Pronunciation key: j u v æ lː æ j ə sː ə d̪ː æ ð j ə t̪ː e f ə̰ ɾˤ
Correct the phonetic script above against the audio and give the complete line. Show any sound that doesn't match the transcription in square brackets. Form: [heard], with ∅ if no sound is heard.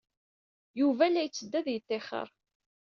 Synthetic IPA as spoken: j u v æ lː æ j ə [t͡sː] ə d̪ː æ ð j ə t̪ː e [χ] ə̰ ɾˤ

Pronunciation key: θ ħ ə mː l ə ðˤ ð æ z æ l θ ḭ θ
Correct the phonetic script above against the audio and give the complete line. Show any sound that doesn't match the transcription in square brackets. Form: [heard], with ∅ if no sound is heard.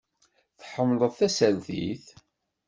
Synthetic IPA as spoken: θ ħ ə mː l ə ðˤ [θ] æ [s] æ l θ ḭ θ

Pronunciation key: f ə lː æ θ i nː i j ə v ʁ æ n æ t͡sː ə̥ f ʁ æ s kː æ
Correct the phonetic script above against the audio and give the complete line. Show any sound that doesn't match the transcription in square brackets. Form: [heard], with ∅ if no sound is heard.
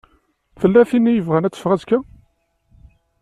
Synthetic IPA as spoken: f ə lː æ θ i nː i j ə v ʁ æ n æ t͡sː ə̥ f ʁ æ [z] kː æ

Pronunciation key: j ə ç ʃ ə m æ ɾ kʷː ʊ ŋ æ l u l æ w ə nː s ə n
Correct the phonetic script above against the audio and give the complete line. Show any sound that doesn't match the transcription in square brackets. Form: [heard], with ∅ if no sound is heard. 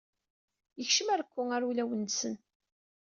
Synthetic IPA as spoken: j ə ç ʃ ə m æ ɾ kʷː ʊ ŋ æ [ɾ] u l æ w ə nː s ə n

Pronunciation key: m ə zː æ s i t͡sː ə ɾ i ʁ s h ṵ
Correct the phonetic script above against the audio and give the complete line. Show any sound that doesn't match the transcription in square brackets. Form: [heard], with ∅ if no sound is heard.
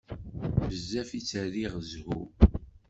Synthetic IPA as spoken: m ə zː æ [f] i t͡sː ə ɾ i ʁ [z] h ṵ

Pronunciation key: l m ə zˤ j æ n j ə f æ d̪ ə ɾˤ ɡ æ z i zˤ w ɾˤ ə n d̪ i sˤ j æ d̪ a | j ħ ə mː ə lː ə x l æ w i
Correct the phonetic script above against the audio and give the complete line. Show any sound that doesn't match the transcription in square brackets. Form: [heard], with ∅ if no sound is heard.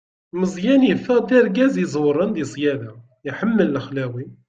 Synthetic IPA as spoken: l m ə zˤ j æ n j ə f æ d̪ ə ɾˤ ɡ æ z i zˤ w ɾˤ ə n d̪ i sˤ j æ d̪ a | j ħ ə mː ə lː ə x l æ w i

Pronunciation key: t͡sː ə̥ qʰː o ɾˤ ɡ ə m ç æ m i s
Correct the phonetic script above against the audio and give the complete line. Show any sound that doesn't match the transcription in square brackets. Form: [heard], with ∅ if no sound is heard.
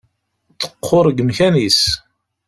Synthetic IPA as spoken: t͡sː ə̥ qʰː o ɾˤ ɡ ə m ç æ [n] i s

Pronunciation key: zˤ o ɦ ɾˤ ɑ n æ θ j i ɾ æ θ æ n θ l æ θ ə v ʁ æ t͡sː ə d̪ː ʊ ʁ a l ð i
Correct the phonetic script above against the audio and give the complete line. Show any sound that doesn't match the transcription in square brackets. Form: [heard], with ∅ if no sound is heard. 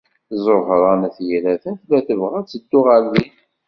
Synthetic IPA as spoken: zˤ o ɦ ɾˤ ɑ n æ θ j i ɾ æ θ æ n θ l æ θ ə v ʁ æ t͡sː ə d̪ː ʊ ʁ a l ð i

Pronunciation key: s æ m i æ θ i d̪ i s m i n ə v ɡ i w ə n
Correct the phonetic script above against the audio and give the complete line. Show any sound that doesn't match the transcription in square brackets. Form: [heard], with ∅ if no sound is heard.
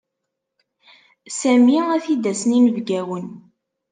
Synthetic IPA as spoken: s æ m i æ θ i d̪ [æ] s [n] i n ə v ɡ [æ] w ə n

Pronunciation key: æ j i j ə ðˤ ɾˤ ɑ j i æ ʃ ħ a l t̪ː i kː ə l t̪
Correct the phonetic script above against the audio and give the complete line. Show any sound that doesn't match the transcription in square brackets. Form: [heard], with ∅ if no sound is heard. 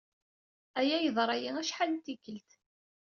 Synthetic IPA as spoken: æ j [æ] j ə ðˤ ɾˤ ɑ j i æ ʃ ħ a l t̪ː i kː ə l t̪

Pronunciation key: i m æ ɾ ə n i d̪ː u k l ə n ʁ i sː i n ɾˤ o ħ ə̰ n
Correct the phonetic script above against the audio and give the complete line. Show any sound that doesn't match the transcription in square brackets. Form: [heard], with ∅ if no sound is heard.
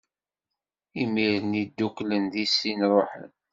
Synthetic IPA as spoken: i m [i] ɾ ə n i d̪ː u k l ə n [ð] i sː i n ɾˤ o ħ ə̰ n

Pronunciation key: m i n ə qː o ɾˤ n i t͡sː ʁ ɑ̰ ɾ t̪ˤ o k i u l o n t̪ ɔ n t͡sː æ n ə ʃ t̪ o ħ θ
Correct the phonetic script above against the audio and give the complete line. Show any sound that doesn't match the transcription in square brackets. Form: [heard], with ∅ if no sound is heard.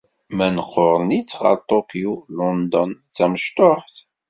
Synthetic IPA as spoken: m [æ] n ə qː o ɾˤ n i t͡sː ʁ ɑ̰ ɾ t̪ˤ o k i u l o n [d̪] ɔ n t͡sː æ [m] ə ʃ t̪ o ħ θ

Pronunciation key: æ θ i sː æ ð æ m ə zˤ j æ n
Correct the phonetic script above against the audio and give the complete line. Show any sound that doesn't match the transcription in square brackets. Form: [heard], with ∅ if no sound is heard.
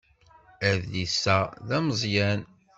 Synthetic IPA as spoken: æ [ð] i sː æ ð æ m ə zˤ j æ n

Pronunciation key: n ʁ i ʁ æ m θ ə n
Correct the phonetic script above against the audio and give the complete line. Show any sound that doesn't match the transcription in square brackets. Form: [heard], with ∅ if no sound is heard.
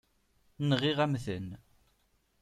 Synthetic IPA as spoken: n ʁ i ʁ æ m θ ə n

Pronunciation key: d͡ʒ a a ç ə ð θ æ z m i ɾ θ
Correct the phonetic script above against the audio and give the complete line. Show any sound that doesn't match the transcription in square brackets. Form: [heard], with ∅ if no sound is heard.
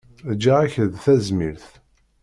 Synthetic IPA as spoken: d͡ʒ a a ç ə ð θ æ z m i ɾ θ

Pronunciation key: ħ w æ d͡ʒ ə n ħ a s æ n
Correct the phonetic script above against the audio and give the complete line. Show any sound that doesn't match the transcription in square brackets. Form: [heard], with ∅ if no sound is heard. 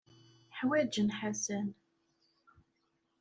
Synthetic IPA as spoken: ħ w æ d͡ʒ ə n ħ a s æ n

